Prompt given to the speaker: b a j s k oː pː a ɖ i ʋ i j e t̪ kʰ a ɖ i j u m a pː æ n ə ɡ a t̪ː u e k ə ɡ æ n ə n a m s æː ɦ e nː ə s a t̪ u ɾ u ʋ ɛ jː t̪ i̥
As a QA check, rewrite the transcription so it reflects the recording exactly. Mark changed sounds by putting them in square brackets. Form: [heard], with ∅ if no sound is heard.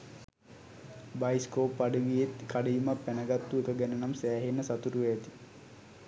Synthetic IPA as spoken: b a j s k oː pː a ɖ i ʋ i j e t̪ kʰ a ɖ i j u m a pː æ n ə ɡ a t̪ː u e k ə ɡ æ n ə n a m s æː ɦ e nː ə s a t̪ u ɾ u ʋ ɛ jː t̪ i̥